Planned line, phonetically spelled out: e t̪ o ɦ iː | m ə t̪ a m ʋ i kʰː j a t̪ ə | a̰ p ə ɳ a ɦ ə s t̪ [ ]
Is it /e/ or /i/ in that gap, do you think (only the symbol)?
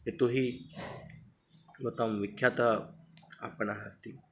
i